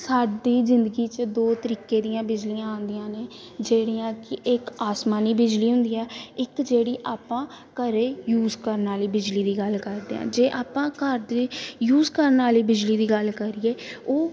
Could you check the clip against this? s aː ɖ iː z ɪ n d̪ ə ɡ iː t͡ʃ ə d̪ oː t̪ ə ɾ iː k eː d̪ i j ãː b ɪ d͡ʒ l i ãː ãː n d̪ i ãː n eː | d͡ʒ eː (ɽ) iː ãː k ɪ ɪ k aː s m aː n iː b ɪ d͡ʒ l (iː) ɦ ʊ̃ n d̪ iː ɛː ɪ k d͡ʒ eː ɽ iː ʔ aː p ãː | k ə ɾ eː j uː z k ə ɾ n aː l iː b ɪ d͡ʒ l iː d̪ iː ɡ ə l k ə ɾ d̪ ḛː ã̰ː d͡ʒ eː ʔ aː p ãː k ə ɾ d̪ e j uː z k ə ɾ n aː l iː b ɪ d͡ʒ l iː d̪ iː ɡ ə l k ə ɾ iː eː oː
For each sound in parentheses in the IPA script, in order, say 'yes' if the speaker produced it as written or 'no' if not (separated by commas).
yes, yes